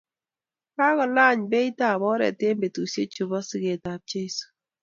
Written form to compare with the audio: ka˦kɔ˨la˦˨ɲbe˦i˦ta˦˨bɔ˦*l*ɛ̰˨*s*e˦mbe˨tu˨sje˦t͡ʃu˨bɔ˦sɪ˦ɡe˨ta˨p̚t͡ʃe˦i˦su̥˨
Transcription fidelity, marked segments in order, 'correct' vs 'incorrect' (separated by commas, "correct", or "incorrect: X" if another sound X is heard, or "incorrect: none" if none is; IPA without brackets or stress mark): incorrect: ɾ, incorrect: t